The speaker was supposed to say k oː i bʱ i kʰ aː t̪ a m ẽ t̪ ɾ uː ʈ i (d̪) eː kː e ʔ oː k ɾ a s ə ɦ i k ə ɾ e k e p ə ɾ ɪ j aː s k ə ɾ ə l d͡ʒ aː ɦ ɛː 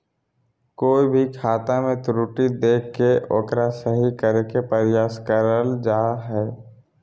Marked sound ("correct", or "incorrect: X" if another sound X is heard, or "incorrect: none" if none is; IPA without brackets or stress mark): correct